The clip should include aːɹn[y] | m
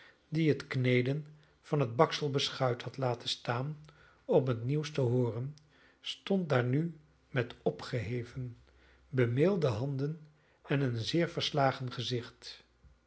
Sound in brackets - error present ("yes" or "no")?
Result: no